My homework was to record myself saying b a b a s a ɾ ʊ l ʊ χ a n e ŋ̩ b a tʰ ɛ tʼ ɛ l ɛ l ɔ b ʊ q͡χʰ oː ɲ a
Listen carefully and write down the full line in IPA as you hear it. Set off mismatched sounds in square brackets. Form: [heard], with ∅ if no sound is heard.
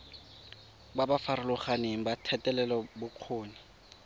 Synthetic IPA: b a b a [f] a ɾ ʊ l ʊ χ a n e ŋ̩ b a tʰ ɛ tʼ ɛ l ɛ l ɔ b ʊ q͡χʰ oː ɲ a

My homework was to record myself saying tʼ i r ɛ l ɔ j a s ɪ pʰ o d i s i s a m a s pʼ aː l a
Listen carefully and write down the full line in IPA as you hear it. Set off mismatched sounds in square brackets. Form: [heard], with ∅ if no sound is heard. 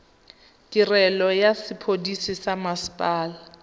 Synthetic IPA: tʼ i r ɛ l ɔ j a s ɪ pʰ o d i s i s a m a s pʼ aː l a

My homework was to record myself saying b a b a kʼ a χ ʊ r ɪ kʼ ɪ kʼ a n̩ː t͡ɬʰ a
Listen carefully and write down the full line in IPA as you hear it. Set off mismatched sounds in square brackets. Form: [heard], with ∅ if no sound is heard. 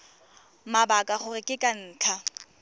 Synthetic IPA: [m] a b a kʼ a χ ʊ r ɪ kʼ ɪ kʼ a n̩ː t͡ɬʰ a

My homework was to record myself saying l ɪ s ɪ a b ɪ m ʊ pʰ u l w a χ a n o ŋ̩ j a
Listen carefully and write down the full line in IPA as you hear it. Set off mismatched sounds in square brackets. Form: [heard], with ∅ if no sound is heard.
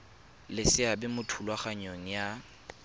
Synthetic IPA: l ɪ s ɪ a b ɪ m ʊ [tʰ] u l w a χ a [ɲ] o ŋ̩ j a

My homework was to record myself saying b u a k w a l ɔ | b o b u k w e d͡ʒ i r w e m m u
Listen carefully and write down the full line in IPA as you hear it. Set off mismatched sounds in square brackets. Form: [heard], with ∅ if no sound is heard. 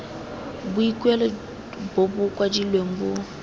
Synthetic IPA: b u [i] k w [ɛ] l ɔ | b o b u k w [a] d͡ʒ i [l] w e m [b] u

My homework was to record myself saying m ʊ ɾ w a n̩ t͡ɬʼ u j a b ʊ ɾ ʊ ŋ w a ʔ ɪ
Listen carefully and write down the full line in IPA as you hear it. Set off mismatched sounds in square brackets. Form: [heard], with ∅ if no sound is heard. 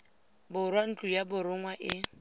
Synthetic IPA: [b] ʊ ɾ w a n̩ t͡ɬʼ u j a b ʊ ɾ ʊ ŋ w a ʔ ɪ

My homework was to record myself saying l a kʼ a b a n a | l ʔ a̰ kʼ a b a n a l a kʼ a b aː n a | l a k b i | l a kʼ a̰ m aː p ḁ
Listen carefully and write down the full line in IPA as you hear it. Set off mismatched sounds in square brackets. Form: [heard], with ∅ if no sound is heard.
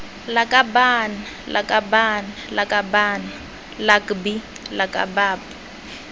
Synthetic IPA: l a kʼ a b a n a | l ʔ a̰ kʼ a b a n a l a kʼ a b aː n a | l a k b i | l a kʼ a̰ [b] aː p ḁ

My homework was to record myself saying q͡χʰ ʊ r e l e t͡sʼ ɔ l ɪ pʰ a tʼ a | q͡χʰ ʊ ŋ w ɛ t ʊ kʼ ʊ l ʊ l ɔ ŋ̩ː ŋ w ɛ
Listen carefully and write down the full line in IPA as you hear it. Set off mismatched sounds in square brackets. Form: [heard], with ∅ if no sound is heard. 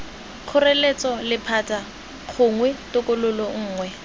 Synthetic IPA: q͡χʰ ʊ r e l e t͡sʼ ɔ l ɪ pʰ a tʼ a | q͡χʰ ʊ ŋ w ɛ t ʊ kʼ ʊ l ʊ l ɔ ŋ̩ː ŋ w ɛ

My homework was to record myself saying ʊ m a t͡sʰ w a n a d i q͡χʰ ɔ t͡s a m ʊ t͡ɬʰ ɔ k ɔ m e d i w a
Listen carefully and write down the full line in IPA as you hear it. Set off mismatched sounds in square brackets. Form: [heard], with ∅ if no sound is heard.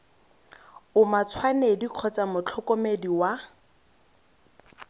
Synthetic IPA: ʊ m a t͡sʰ w a n [e] d i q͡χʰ ɔ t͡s a m ʊ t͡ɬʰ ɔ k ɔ m e d i w a

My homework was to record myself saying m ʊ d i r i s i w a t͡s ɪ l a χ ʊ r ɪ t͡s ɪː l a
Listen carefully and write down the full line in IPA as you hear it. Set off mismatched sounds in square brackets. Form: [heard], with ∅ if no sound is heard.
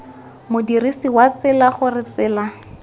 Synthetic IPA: m ʊ d i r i s i w a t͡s ɪ l a χ ʊ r ɪ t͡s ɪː l a

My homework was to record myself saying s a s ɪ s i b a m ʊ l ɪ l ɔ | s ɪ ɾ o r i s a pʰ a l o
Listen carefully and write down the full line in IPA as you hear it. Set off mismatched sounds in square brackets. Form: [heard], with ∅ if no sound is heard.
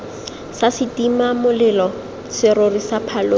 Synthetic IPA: s a s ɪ [t] i [m] a m ʊ l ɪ l ɔ | s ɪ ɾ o r i s a pʰ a l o

